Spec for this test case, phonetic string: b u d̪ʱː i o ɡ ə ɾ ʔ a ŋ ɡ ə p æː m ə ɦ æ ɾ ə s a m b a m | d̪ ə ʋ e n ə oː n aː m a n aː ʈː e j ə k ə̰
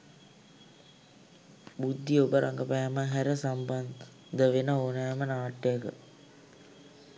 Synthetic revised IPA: b u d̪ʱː i o b ə ɾ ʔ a ŋ ɡ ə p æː m ə ɦ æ ɾ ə s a m b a n | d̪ ə ʋ e n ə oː n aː m ə n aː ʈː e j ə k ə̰

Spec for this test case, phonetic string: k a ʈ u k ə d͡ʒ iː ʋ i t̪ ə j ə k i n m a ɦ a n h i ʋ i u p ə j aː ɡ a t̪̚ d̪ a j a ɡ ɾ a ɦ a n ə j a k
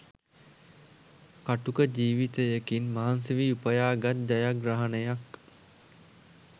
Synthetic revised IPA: k a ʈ u k ə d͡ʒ iː ʋ i t̪ ə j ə k i n m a ɦ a n s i ʋ i u p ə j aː ɡ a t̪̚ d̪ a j a ɡ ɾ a ɦ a n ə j a k

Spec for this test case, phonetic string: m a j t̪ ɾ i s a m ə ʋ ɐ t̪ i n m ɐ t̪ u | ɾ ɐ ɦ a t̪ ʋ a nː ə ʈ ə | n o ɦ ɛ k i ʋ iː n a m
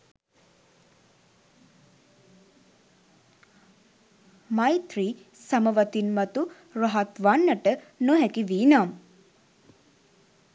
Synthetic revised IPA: m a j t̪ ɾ i s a m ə ʋ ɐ t̪ i n m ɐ t̪ u | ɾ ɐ ɦ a t̪ ʋ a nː ə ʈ ə | n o ɦ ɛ k i ʋ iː n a m

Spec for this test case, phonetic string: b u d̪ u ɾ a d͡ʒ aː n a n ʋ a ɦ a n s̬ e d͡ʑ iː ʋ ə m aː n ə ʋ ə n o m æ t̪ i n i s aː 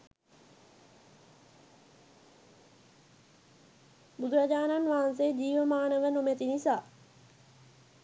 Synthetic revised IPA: b u d̪ u ɾ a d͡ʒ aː n a n ʋ a ɦ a n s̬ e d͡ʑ iː ʋ ə m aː n ə ʋ ə n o m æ t̪ i n i s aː

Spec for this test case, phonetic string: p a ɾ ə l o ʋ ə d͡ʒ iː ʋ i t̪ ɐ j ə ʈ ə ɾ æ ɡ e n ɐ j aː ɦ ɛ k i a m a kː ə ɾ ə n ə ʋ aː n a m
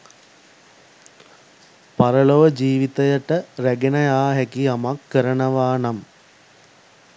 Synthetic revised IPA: p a ɾ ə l o ʋ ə d͡ʒ iː ʋ i t̪ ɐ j ə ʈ ə ɾ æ ɡ e n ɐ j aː ɦ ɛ k i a m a kː ə ɾ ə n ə ʋ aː n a m

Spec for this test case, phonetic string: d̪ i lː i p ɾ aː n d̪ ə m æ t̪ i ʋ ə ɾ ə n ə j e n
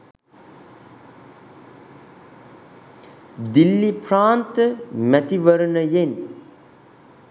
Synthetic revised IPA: d̪ i lː i p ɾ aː n t̪ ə m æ t̪ i ʋ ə ɾ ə n ə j e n

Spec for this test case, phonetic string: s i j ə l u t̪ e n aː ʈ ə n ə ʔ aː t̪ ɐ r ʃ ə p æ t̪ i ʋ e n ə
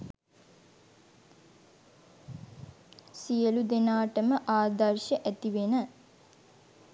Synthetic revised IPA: s i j ə l u d̪ e n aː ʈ ə m ə ʔ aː d̪ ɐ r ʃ ə ʔ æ t̪ i ʋ e n ə

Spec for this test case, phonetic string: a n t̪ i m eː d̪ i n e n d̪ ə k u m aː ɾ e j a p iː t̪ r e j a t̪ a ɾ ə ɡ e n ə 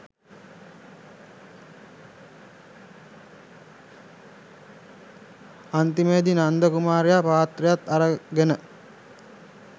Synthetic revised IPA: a n t̪ i m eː d̪ i n a n d̪ ə k u m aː ɾ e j a p aː t̪ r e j a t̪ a ɾ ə ɡ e n ə

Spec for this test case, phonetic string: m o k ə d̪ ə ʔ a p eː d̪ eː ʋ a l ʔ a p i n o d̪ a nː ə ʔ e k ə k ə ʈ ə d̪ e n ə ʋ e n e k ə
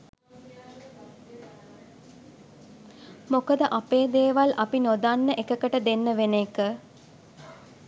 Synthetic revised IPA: m o k ə d̪ ə ʔ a p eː d̪ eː ʋ a l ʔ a p i n o d̪ a nː ə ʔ e k ə k ə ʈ ə d̪ e nː ə ʋ e n e k ə

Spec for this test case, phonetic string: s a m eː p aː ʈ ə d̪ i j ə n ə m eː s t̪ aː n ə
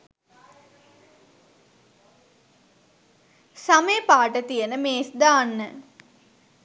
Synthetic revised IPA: s a m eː p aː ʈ ə t̪ i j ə n ə m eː s d̪ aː nː ə

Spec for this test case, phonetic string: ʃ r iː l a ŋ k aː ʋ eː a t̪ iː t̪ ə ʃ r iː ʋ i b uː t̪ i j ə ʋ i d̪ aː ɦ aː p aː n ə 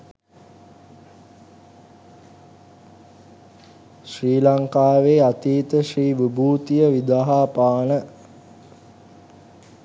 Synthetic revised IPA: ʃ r iː l a ŋ k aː ʋ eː a t̪ iː t̪ ə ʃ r iː ʋ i b uː t̪ i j ə ʋ i d̪ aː ɦ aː p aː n ə

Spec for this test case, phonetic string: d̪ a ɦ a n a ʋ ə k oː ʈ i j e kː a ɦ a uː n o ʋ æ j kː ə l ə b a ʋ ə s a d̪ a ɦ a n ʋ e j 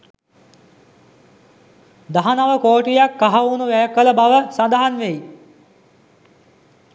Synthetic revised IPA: d̪ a ɦ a n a ʋ ə k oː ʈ i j a kː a ɦ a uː n u ʋ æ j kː ə l ə b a ʋ ə s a d̪ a ɦ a n ʋ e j

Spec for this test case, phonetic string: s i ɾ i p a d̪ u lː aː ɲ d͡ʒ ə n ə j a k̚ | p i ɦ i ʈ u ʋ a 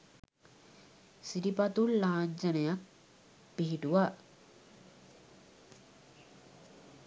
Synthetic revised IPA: s i ɾ i p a t̪ u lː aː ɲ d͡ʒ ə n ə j a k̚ | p i ɦ i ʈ u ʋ a

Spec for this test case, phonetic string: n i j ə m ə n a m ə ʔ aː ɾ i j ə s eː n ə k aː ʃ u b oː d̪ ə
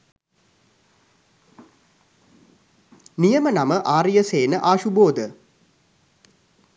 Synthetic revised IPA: n i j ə m ə n a m ə ʔ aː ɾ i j ə s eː n ə ʔ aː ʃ u b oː d̪ ə

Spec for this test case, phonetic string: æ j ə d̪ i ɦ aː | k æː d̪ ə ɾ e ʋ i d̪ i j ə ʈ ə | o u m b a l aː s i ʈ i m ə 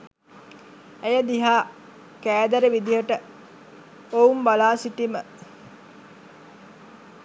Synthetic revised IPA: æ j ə d̪ i ɦ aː | k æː d̪ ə ɾ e ʋ i d̪ i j ə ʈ ə | o u m b a l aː s i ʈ i m ə

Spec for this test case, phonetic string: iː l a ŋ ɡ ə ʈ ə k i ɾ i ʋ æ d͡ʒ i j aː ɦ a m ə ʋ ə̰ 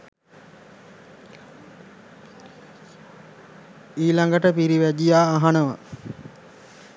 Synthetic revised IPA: iː l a ŋ ɡ ə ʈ ə p i ɾ i ʋ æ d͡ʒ i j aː ɦ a n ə ʋ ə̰

